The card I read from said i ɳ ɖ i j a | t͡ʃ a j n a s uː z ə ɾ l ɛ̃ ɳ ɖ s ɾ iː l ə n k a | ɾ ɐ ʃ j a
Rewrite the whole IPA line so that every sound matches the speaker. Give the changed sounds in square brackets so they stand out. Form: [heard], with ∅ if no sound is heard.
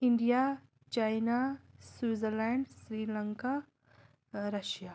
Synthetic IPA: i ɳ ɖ i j a | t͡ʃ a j n a s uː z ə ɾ l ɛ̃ ɳ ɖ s ɾ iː l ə [ŋ] k a | ɾ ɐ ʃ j a